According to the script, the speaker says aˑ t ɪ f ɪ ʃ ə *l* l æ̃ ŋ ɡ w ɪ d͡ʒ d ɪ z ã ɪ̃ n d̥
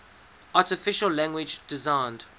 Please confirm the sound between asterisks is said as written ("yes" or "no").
yes